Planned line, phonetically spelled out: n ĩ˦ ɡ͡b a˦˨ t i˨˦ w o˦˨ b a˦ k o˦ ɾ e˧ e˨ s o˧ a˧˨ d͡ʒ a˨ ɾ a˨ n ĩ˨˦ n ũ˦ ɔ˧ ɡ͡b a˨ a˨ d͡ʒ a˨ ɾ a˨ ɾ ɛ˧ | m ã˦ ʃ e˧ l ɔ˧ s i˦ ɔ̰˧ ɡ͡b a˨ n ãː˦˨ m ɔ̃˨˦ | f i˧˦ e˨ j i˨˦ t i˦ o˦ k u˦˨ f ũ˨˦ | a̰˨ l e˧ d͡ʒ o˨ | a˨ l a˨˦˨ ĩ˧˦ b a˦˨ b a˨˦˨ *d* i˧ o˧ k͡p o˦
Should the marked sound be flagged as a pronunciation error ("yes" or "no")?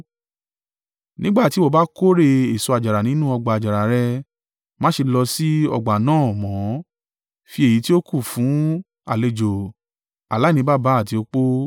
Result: yes